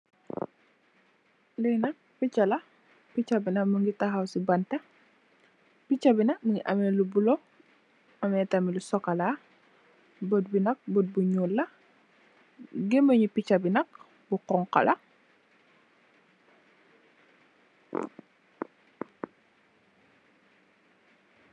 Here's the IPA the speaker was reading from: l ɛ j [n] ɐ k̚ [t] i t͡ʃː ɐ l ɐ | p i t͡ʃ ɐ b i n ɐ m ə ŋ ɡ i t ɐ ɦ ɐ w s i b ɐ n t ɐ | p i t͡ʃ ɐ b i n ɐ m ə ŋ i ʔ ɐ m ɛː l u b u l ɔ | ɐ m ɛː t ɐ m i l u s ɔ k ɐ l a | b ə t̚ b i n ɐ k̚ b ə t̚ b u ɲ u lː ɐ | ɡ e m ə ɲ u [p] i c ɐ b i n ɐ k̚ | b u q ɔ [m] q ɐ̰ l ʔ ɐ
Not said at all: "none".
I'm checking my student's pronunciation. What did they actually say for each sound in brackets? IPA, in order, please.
n, p, p, ŋ

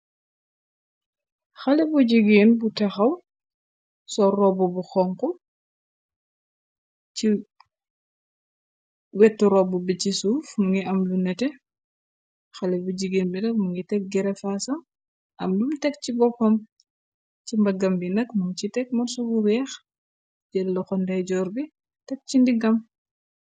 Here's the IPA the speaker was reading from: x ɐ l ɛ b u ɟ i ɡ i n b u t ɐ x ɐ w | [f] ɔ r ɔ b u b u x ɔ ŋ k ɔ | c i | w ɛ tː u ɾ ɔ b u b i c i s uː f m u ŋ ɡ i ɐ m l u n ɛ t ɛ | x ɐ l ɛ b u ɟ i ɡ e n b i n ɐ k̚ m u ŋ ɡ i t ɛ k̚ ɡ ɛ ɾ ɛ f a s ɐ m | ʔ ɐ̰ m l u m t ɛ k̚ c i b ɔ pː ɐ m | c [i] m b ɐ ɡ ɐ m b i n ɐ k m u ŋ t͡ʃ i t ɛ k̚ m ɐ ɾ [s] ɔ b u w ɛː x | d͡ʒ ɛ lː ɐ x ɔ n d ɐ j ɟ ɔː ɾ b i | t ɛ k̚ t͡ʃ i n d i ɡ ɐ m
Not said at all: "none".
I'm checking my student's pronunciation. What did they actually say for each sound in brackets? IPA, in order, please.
s, i, s

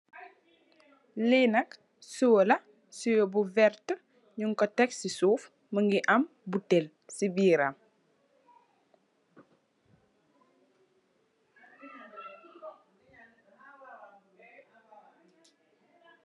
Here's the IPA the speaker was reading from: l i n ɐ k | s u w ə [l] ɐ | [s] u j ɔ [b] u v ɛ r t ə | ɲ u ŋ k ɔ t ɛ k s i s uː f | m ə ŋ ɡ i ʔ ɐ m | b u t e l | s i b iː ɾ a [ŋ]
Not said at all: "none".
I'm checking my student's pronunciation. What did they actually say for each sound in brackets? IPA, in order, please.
l, s, b, m

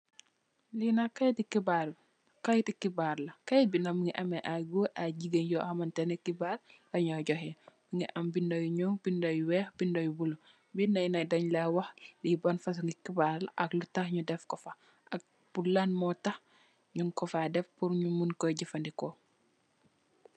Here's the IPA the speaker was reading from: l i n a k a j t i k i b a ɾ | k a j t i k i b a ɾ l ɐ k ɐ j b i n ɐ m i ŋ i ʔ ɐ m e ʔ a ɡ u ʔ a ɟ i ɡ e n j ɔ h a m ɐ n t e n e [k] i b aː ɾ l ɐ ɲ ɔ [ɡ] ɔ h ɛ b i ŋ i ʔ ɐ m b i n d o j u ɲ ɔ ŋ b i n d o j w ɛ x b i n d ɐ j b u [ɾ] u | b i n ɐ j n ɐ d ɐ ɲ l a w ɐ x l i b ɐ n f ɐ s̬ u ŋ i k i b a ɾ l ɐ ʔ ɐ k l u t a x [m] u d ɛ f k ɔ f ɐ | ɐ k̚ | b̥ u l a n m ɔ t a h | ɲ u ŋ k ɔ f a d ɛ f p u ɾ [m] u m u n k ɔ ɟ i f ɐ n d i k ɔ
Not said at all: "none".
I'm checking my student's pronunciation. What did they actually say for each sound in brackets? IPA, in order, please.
k, ɟ, l, ɲ, ɲ

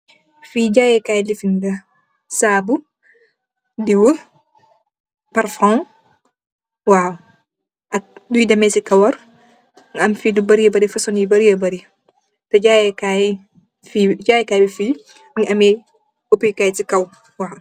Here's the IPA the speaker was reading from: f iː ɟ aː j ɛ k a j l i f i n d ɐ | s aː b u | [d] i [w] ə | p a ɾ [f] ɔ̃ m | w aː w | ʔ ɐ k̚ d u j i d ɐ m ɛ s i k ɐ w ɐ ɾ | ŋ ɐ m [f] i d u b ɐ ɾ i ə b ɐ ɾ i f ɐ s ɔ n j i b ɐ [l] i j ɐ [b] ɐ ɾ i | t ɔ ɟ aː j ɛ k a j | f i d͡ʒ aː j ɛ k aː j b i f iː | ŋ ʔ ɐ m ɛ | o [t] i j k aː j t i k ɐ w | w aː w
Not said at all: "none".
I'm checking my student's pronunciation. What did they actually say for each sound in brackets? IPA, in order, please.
d, w, f, f, ɾ, b, p

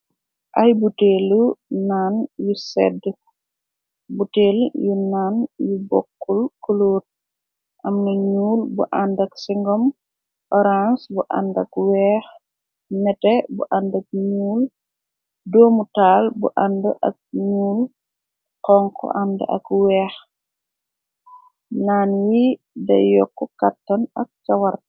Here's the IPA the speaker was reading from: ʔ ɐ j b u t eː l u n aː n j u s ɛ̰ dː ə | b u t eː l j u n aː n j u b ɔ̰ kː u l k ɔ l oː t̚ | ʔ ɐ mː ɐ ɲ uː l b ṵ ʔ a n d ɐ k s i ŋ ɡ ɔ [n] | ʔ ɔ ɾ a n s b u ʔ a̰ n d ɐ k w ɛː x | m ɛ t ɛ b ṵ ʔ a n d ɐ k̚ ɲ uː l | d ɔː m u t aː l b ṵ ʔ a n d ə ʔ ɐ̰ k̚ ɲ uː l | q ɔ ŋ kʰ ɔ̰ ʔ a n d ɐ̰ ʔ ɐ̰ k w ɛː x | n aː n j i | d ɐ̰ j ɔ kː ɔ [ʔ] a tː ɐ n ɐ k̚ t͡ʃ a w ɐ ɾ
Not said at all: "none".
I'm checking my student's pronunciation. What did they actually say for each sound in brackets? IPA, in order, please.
m, k

